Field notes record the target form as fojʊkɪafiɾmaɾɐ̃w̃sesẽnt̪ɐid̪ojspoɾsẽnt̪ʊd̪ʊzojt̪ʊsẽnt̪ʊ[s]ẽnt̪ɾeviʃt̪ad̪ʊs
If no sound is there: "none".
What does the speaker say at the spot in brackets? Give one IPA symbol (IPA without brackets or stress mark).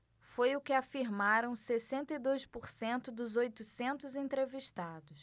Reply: z